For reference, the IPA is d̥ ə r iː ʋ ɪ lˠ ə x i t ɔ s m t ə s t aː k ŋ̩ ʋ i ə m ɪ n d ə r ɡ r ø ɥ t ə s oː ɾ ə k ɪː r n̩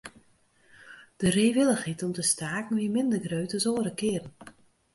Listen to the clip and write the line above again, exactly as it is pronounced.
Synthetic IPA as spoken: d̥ ə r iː ʋ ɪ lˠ ə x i t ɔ m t ə s t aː k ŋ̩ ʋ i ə m ɪ n d ə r ɡ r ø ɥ t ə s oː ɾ ə k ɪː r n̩